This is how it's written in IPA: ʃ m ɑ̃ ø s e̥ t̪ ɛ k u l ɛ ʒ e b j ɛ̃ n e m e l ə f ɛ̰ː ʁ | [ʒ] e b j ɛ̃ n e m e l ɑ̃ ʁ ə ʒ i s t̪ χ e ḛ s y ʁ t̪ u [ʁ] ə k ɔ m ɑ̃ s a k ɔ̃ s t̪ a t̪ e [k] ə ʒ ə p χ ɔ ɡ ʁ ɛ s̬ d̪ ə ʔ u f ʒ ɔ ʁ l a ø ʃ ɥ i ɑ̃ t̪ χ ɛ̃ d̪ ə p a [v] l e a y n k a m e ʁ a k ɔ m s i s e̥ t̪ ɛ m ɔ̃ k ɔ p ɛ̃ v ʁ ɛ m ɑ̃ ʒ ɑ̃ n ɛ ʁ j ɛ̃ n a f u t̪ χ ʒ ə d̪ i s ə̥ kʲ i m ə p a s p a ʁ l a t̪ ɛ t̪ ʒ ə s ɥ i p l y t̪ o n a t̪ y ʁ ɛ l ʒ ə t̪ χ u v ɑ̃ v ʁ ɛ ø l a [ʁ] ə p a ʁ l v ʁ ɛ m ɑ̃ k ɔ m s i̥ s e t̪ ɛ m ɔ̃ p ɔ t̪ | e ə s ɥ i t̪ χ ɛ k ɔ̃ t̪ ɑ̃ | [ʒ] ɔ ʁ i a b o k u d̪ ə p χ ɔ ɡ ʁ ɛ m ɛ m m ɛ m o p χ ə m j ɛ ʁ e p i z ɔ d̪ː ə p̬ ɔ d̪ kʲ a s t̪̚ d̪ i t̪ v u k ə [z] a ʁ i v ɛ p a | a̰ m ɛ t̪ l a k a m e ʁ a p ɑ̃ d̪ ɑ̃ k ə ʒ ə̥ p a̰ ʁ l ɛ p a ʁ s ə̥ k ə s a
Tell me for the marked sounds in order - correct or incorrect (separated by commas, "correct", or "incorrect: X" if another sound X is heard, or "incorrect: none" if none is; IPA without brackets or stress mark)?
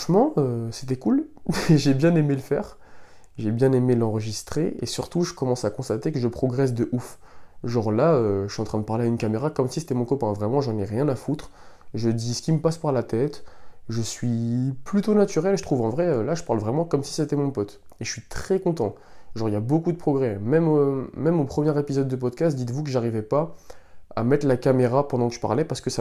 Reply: correct, incorrect: ʒ, correct, incorrect: ʁ, incorrect: ʒ, correct, incorrect: ʒ